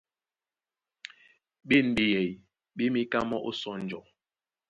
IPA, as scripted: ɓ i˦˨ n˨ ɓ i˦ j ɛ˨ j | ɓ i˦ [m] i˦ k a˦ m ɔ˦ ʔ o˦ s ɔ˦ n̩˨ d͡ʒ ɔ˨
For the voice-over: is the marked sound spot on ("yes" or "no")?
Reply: yes